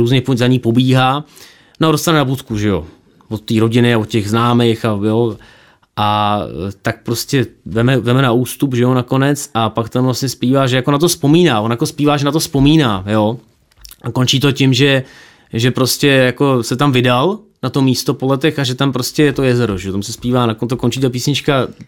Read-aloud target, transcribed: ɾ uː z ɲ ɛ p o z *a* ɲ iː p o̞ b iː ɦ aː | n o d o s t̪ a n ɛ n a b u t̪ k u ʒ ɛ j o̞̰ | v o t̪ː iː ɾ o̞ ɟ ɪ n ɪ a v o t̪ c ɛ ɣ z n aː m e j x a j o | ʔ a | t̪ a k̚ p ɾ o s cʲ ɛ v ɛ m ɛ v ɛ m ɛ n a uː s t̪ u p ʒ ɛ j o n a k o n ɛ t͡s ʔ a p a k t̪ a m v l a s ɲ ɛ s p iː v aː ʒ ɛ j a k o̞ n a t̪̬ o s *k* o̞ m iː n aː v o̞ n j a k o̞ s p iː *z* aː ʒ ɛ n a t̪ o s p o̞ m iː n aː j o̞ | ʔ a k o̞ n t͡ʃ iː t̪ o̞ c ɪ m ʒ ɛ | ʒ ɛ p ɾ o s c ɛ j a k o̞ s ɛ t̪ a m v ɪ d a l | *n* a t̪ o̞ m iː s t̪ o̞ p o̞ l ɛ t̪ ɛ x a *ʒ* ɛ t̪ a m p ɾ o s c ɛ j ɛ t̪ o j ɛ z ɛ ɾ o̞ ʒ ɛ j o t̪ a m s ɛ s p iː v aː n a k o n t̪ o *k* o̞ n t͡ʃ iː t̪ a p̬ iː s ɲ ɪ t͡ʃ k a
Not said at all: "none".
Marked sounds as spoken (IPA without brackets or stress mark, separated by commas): a, p, v, n, ʒ, k